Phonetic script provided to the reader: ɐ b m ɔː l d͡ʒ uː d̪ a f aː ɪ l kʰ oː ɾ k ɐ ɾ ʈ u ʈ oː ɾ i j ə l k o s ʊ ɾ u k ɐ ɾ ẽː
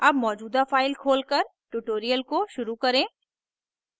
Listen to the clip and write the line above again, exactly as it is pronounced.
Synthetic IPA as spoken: ɐ b m ɔː d͡ʒ uː d̪ a f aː ɪ l kʰ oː l k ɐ ɾ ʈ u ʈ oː ɾ i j ə l k o ʃ ʊ ɾ u k ɐ ɾ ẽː